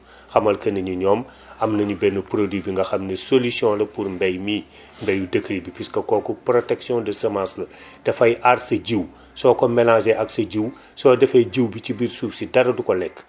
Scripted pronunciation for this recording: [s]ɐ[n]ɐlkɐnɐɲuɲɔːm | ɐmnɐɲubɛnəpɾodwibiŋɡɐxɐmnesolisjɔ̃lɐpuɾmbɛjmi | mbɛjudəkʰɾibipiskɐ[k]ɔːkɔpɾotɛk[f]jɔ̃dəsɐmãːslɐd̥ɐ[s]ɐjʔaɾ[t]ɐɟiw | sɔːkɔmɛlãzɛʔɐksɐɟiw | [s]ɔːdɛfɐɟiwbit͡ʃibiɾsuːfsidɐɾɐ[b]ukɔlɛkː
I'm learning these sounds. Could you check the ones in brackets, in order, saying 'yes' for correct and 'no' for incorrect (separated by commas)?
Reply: no, no, yes, no, no, no, yes, no